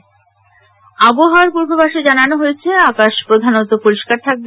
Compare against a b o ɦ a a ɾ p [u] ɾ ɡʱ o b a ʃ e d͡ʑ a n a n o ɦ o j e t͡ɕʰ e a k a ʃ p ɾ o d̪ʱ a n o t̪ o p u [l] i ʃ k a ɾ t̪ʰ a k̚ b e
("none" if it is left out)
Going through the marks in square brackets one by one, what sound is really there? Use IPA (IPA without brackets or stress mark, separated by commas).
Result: u, ɾ